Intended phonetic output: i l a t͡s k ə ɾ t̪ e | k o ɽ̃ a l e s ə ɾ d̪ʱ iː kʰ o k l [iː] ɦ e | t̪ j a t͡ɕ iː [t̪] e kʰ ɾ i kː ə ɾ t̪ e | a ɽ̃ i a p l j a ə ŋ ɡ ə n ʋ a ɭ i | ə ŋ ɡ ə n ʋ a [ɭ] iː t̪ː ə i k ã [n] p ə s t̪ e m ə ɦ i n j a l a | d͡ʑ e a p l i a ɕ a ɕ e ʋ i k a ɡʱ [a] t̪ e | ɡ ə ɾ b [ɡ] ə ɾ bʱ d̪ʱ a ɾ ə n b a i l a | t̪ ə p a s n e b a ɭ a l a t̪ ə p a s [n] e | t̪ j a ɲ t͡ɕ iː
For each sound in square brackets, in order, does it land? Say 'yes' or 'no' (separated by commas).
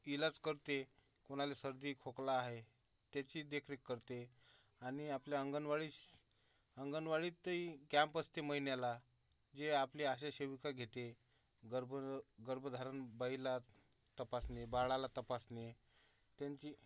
no, no, yes, no, no, yes, yes